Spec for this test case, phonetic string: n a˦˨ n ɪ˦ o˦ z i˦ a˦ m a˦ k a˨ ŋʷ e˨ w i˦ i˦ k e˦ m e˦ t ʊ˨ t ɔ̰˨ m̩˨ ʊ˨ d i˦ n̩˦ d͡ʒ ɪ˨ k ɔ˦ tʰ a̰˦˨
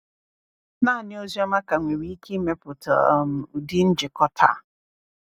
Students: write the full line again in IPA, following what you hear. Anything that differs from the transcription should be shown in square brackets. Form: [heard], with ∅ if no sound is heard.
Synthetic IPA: n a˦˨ n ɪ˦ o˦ z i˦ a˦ m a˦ k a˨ ŋʷ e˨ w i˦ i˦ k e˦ m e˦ [p] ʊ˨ t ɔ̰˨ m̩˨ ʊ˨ d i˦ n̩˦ d͡ʒ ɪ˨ k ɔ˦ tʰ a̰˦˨